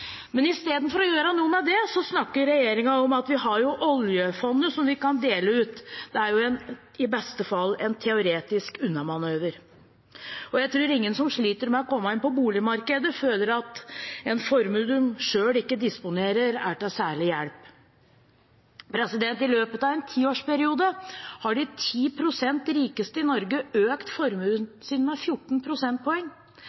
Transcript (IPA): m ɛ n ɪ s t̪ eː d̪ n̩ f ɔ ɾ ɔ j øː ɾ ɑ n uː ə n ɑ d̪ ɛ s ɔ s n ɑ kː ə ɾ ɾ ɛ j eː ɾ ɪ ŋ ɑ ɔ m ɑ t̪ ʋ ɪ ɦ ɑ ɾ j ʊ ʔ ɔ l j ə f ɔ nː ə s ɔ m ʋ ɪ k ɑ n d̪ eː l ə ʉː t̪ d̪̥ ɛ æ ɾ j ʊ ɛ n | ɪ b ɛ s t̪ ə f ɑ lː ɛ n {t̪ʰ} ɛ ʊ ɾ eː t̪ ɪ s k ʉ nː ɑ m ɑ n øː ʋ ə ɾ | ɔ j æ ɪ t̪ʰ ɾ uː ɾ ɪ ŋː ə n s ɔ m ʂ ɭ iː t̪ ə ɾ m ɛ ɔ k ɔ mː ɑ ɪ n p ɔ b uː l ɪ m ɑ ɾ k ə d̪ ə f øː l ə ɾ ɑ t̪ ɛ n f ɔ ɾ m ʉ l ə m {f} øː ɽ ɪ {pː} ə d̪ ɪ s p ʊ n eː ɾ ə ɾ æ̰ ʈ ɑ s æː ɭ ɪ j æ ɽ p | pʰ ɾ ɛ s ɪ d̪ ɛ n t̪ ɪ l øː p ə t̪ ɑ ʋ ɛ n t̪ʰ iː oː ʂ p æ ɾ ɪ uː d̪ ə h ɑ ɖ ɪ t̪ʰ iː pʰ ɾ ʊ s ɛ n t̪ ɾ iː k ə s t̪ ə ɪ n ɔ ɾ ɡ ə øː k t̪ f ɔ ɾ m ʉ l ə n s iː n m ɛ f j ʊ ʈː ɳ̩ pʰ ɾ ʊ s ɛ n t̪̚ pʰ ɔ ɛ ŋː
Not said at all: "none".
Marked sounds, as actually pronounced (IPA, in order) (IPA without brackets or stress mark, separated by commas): t̪ʰ, ʂ, kː